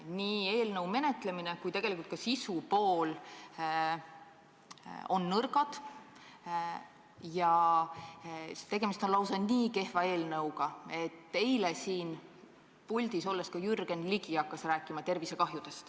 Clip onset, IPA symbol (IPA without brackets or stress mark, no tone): n